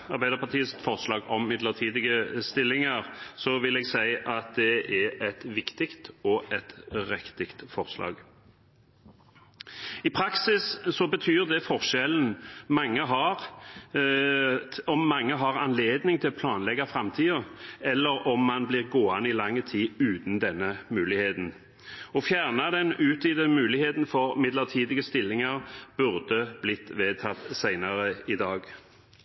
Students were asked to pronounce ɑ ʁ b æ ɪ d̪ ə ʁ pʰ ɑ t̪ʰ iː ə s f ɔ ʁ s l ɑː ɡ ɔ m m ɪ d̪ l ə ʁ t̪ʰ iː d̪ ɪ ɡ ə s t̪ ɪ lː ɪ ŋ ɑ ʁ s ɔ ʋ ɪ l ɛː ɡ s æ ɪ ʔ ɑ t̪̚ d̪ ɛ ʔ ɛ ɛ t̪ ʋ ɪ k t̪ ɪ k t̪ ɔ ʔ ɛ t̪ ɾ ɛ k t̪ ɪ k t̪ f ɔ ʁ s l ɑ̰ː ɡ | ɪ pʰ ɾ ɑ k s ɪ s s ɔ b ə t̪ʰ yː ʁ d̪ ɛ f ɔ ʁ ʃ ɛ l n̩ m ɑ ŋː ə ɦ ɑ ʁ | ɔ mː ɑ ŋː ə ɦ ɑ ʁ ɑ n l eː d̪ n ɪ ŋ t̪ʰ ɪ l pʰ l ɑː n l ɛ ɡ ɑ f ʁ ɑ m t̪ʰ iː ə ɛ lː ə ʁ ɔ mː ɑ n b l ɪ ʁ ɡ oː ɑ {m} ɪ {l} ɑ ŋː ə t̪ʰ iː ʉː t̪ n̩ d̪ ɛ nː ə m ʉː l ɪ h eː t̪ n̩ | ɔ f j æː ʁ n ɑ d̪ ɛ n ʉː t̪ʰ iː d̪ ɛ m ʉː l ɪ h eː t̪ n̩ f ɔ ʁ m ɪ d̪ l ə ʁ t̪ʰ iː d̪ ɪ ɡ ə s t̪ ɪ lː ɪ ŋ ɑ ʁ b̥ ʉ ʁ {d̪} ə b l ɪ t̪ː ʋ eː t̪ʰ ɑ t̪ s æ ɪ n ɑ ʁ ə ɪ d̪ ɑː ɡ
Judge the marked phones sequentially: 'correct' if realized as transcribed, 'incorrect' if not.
incorrect: n, correct, correct

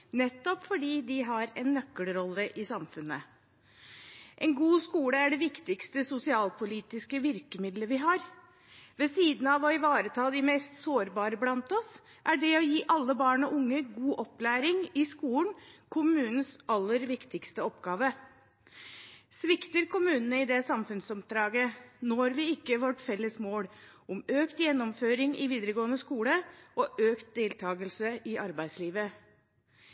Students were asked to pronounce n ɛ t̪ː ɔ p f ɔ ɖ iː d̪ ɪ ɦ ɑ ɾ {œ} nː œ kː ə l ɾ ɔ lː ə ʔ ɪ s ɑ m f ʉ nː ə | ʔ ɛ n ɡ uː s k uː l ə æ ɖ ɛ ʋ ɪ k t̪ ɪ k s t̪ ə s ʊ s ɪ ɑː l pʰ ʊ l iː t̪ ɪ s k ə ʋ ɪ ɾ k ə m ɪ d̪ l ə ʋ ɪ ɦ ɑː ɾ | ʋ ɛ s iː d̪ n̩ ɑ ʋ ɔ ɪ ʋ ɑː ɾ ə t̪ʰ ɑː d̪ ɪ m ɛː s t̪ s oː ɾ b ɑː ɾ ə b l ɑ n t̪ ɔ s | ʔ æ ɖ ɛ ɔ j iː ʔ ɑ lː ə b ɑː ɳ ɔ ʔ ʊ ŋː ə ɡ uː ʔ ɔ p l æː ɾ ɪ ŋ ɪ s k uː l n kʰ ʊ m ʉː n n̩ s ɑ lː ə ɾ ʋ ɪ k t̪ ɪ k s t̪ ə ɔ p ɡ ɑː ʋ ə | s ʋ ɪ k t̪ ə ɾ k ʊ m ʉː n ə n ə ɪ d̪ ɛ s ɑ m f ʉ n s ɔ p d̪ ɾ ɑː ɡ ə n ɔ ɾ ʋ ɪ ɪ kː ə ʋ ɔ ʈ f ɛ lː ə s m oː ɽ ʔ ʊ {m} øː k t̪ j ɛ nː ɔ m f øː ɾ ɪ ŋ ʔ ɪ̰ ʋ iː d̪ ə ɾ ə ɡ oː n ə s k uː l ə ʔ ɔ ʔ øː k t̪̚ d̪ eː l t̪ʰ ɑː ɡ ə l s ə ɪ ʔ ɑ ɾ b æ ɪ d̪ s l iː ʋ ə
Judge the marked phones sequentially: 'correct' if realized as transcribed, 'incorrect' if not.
incorrect: ɛ, correct

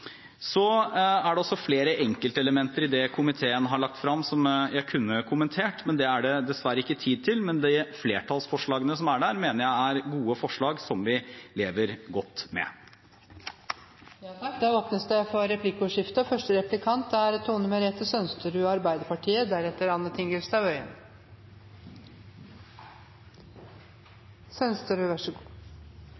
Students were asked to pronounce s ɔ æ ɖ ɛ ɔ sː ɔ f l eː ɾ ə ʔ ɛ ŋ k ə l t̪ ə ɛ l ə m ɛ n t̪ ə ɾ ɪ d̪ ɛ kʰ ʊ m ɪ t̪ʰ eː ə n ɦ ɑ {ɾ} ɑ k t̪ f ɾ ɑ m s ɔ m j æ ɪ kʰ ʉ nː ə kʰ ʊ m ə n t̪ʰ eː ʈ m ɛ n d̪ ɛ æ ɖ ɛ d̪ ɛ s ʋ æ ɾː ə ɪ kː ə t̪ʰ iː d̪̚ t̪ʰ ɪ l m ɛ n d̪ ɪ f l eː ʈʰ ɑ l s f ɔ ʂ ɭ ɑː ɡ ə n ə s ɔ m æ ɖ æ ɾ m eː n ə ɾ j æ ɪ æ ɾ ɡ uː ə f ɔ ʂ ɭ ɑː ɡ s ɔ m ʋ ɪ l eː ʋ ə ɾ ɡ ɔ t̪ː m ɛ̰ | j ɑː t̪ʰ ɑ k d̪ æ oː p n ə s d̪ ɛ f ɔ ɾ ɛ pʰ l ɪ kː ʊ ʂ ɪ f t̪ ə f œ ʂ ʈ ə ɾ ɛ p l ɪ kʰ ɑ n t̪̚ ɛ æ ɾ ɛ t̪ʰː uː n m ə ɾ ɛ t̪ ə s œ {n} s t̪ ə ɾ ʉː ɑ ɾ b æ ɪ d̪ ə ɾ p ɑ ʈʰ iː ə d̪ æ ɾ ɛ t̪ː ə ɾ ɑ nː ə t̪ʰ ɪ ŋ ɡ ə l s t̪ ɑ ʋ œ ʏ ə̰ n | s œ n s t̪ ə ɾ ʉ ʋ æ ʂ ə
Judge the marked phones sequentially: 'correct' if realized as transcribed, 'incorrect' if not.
incorrect: ɭ, correct

